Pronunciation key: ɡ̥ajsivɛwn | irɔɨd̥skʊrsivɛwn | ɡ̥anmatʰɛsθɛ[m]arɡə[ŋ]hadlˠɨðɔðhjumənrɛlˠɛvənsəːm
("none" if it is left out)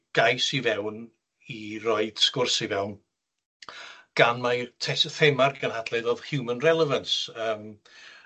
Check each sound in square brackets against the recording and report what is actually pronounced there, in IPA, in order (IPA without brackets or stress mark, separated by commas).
m, n